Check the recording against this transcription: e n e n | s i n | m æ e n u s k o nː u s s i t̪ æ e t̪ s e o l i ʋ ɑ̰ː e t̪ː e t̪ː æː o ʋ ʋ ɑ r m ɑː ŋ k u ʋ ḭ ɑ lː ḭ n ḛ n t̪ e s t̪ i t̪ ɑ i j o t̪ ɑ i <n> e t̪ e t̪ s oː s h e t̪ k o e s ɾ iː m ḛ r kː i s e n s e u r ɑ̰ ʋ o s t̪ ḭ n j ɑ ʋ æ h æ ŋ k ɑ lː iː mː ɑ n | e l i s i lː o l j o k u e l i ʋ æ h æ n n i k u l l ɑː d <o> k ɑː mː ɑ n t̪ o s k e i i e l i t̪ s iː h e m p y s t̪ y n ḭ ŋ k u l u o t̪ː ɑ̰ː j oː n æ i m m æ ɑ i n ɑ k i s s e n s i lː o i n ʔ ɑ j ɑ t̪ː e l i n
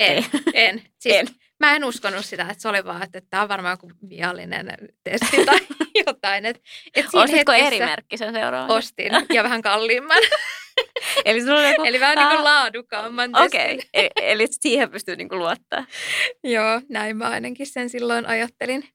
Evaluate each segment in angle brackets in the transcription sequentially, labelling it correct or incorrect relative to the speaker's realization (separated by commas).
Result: correct, incorrect